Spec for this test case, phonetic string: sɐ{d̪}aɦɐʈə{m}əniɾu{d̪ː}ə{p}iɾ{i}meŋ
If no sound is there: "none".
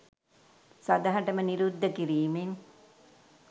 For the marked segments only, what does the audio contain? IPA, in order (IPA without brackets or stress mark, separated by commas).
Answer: d̪, m, d̪ː, k, iː